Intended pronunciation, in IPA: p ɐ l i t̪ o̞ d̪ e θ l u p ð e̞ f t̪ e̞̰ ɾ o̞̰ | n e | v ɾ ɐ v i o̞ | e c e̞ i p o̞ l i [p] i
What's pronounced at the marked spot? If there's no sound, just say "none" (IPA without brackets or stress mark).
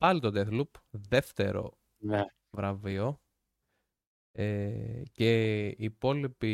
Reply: p